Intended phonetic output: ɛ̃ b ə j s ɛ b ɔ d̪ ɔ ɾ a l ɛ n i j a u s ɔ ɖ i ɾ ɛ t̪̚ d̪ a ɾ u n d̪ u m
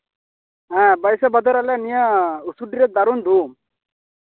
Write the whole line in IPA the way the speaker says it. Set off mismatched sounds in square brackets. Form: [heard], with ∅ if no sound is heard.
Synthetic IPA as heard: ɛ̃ b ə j s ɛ b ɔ d̪ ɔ ɾ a l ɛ n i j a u s [u] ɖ i ɾ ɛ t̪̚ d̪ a ɾ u n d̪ u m